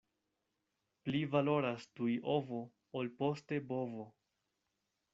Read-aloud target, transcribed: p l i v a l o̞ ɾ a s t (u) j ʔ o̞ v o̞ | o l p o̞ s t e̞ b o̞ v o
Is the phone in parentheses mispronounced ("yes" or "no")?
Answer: no